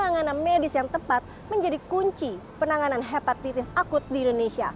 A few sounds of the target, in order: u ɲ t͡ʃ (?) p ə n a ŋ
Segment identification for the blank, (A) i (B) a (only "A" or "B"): A